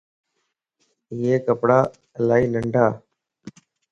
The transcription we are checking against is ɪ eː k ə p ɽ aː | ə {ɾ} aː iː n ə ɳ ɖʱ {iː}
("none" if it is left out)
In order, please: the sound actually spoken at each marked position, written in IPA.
l, aː

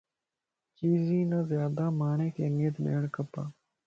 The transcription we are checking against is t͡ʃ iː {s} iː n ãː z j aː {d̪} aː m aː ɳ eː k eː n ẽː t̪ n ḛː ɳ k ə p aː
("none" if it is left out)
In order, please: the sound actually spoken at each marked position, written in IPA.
z, d̪

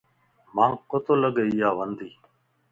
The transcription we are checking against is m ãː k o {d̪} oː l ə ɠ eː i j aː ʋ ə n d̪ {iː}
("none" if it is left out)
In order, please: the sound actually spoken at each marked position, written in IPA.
t̪, iː

